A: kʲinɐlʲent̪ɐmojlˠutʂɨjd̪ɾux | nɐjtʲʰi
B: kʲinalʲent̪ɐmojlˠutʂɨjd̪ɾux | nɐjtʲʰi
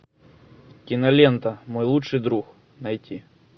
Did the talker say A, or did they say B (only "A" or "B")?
A